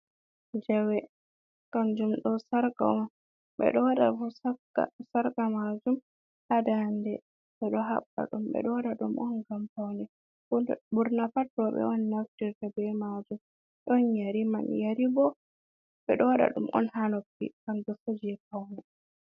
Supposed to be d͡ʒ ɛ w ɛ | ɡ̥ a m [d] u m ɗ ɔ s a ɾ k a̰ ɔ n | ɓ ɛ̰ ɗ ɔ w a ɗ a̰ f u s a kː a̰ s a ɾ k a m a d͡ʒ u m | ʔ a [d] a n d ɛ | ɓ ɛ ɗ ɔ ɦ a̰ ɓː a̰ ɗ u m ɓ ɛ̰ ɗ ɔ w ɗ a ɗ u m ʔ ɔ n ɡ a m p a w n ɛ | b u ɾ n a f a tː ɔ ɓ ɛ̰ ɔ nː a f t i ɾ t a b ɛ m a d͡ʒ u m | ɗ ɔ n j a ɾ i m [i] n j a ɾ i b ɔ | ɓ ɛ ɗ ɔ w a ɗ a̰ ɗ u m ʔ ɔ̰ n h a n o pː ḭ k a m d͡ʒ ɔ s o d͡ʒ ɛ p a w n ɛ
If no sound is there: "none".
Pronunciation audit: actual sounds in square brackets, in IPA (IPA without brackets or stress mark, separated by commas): d͡ʒ, d, a